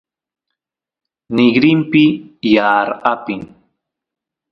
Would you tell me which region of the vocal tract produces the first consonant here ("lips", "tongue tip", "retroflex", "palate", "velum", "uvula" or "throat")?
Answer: tongue tip